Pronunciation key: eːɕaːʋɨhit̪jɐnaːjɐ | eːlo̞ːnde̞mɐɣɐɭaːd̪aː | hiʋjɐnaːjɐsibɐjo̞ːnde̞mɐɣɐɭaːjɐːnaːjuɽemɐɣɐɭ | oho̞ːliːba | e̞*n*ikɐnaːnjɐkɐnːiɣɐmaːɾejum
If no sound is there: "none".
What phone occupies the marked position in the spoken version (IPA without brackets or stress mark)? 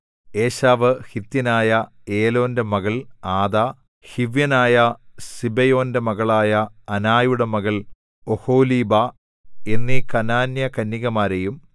nː